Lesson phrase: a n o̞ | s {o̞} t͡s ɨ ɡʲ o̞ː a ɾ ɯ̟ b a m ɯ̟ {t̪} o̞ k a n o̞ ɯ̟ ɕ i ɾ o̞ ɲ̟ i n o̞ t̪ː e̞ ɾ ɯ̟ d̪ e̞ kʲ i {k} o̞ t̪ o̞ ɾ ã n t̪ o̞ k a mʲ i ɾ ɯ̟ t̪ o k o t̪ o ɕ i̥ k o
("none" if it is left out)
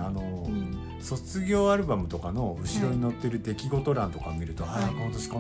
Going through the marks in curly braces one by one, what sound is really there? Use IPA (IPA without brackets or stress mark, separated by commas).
o̞, t̪, ɡ